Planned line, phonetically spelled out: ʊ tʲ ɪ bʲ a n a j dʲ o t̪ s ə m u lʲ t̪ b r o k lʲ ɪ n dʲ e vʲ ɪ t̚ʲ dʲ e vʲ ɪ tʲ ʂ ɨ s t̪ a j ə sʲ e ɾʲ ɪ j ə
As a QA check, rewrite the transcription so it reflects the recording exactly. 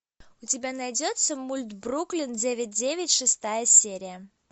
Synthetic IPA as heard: ʊ tʲ ɪ bʲ a n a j dʲ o t̪ s ə m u lʲ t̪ b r u k lʲ ɪ n dʲ e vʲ ɪ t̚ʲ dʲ e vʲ ɪ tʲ ʂ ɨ s t̪ a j ə sʲ e ɾʲ ɪ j ə

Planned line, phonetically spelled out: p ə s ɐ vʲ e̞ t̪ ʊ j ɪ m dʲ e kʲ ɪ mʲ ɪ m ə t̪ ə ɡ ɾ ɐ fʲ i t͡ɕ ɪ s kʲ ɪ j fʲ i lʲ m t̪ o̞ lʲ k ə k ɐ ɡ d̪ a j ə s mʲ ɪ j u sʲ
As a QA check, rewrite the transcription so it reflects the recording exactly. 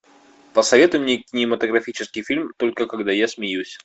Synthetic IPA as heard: p ə s ɐ vʲ e̞ t̪ ʊ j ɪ m nʲ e kʲ ɪ nʲ ɪ m ə t̪ ə ɡ ɾ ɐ fʲ i t͡ɕ ɪ s kʲ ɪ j fʲ i lʲ m t̪ o̞ lʲ k ə k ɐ ɡ d̪ a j a s mʲ ɪ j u sʲ

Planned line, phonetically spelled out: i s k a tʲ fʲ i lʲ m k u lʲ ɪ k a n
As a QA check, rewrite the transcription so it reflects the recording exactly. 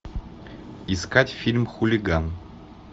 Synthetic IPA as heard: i s k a tʲ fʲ i lʲ m x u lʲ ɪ ɡ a n

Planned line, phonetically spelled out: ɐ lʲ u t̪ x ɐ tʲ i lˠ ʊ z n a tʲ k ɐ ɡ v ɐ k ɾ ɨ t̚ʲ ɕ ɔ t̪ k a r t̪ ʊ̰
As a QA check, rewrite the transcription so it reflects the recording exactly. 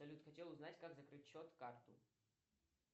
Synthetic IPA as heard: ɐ lʲ u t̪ x ɐ tʲ e lˠ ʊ z n a tʲ k a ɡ z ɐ k ɾ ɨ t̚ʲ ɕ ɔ t̪ k a r t̪ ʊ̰

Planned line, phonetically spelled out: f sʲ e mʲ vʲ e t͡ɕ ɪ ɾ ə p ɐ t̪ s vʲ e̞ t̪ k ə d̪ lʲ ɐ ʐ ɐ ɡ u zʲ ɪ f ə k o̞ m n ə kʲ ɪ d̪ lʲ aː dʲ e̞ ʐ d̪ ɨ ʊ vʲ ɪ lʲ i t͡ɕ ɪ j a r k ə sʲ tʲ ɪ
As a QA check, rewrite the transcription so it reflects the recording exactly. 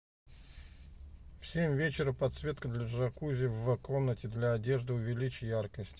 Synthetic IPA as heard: f sʲ e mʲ vʲ e t͡ɕ ɪ ɾ ə p ɐ t̪ s vʲ e̞ t̪ k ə d̪ lʲ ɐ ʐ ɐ k u zʲ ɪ v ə k o̞ m n ə tʲ ɪ d̪ lʲ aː dʲ e̞ ʐ d̪ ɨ ʊ vʲ ɪ lʲ i t͡ɕ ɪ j a r k ə sʲ tʲ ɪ

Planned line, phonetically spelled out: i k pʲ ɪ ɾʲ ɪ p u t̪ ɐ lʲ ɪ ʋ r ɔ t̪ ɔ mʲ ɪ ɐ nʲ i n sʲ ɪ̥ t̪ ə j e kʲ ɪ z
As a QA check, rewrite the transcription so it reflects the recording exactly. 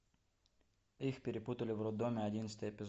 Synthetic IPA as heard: i x pʲ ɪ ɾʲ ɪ p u t̪ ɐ lʲ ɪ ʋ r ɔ d̪ ɔ mʲ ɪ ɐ dʲ i n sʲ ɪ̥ t̪ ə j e pʲ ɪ z

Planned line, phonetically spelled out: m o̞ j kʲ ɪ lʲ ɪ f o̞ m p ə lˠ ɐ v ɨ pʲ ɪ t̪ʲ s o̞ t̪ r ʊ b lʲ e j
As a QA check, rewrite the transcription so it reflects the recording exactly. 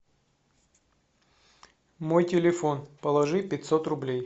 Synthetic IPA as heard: m o̞ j tʲ ɪ lʲ ɪ f o̞ n p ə lˠ ɐ ʐ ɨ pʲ ɪ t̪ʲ s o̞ t̪ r ʊ b lʲ e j

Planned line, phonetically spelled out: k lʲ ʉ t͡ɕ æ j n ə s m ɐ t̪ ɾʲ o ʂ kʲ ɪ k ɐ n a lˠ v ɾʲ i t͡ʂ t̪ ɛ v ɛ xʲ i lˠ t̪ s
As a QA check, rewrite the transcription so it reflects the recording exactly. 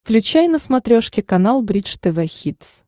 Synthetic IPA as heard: k lʲ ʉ t͡ɕ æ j n ə s m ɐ t̪ ɾʲ o ʂ kʲ ɪ k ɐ n a lˠ b ɾʲ i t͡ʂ t̪ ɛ v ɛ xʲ i t̪ s

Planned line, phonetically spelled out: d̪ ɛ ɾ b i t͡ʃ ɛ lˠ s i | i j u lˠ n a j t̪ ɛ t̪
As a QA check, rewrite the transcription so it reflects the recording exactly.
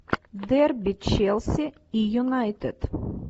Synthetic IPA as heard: d̪ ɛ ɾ b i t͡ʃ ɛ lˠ s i | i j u n a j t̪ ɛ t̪

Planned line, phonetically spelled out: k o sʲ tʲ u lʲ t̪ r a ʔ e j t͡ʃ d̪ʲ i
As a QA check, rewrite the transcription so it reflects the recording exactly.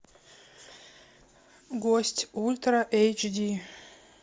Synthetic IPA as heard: ɡ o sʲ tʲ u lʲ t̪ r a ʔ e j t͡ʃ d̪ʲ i

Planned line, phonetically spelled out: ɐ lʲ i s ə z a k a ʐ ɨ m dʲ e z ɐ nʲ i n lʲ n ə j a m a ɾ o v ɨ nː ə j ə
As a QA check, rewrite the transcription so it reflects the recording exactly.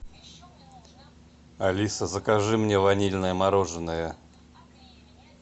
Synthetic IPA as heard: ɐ lʲ i s ə z ə k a ʐ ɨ m nʲ e v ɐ nʲ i lʲ n ə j ə m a ɾ o ʐ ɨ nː ə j ə

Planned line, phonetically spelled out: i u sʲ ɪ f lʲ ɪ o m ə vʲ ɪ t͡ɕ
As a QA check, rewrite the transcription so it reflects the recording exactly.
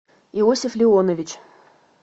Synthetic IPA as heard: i o sʲ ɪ f lʲ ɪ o n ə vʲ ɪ t͡ɕ

